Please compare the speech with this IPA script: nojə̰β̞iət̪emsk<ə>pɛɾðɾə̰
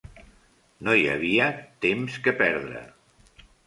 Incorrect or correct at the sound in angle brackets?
correct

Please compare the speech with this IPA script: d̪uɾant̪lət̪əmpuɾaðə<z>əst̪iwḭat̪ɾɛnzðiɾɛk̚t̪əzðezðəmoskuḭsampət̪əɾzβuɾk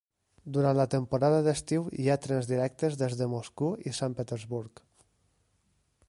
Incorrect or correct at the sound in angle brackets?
incorrect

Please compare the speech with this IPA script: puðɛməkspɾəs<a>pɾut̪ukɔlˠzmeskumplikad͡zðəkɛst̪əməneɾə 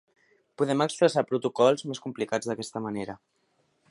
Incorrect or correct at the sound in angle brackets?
correct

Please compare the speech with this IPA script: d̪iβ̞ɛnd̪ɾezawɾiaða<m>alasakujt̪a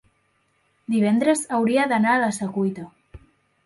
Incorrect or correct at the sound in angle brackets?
incorrect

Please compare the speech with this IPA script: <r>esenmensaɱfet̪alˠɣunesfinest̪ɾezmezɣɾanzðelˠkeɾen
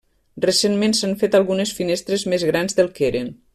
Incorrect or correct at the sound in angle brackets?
correct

